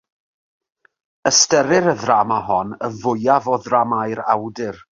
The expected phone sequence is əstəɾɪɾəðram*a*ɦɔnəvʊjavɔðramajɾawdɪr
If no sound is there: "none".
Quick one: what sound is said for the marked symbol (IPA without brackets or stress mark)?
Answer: a